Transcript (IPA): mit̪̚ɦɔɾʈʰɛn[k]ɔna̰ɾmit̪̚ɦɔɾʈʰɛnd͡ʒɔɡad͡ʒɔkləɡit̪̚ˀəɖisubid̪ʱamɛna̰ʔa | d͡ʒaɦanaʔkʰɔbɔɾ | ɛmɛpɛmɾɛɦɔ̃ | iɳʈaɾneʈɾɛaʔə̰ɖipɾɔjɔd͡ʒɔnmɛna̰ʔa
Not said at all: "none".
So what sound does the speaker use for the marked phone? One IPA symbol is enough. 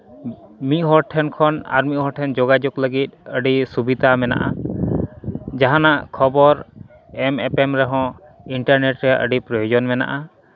kʰ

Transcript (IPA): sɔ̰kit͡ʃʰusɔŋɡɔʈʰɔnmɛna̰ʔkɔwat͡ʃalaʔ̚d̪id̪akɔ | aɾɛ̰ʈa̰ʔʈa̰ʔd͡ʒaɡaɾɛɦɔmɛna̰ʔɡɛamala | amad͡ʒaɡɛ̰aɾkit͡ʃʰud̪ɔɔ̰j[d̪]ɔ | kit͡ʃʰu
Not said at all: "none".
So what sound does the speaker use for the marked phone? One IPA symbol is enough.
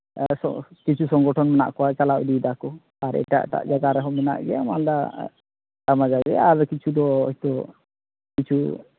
t̪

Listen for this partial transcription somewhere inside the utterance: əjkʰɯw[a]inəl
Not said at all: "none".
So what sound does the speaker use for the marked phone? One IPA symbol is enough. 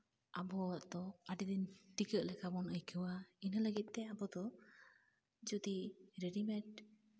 a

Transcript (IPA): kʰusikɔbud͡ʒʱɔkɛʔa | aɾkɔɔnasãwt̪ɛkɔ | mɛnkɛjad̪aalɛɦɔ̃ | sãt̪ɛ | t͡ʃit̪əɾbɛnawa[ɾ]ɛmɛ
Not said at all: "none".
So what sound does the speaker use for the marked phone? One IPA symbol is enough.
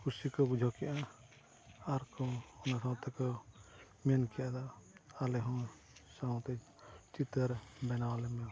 l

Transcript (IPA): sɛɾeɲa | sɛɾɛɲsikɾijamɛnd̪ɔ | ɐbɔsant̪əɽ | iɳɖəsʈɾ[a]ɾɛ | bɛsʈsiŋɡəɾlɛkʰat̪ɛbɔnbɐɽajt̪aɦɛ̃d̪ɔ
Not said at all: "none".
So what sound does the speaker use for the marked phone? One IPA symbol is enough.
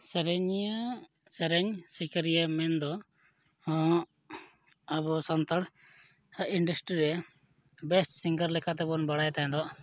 i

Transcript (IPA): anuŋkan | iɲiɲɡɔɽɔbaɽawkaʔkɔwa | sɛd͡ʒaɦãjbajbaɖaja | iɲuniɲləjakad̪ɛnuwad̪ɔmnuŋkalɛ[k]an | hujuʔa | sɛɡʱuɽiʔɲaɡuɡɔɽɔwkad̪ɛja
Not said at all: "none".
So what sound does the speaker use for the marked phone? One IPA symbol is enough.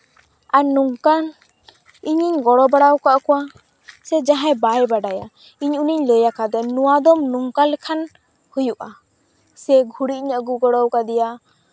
kʰ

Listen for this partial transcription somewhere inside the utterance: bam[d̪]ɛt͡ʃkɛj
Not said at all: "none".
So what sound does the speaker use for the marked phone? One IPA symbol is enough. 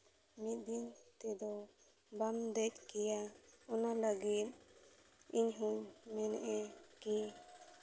d̪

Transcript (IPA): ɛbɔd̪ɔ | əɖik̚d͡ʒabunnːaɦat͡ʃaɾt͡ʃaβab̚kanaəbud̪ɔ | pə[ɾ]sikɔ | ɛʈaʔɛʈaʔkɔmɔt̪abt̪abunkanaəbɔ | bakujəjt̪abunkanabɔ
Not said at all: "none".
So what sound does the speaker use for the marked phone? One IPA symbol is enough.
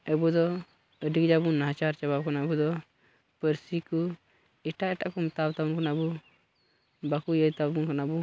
ɾ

